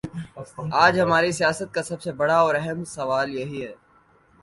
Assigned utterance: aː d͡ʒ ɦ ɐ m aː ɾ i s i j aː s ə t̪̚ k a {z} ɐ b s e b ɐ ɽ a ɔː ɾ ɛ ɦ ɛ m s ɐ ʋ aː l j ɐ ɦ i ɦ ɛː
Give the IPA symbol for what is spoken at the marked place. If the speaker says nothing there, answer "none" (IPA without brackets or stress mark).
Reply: s